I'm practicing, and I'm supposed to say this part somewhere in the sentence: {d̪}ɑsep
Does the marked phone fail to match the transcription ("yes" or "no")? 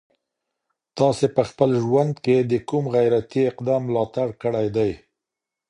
yes